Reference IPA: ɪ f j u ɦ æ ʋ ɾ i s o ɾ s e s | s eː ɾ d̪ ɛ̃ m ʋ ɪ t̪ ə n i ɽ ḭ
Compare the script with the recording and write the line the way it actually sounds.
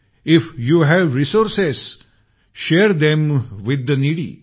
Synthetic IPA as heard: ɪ f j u ɦ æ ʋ ɾ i s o ɾ s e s | ʃ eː ɾ d̪ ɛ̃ m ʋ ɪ d̪ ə n i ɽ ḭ